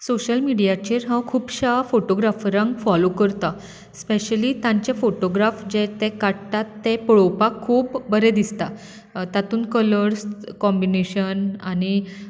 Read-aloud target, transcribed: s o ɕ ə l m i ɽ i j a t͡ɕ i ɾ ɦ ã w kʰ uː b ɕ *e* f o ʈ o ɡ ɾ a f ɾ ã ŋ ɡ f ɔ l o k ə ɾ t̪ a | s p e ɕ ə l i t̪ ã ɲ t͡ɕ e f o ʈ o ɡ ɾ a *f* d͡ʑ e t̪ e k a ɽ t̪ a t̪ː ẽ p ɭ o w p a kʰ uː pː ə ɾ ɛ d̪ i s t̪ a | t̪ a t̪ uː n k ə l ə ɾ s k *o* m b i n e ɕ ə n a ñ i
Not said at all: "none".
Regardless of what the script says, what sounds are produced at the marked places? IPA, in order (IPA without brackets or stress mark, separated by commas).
a, f, ɔ